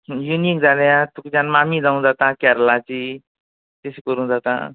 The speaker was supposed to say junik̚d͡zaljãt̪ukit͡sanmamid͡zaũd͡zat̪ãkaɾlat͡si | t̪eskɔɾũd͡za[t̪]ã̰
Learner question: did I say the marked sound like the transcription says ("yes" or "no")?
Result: yes